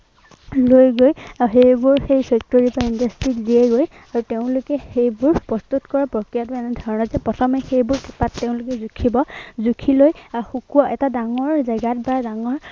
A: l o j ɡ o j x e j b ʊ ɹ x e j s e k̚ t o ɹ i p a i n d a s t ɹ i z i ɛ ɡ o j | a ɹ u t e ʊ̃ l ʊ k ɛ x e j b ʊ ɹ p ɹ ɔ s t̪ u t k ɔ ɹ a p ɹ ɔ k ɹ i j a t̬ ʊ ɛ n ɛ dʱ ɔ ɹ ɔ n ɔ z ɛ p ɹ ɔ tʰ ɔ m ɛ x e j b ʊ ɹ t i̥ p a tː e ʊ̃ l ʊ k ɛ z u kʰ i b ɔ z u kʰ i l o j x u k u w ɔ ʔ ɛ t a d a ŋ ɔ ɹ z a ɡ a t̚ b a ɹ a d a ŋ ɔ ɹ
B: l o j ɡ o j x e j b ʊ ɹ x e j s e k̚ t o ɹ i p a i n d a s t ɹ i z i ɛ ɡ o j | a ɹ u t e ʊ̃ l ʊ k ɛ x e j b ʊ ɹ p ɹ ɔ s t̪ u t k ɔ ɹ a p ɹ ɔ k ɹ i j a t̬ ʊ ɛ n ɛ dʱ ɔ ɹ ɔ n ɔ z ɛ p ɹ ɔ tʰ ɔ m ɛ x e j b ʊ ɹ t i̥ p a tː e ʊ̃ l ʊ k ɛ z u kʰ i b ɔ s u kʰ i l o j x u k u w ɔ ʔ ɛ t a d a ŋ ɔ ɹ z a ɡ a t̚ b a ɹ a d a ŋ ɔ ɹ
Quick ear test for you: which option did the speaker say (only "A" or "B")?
A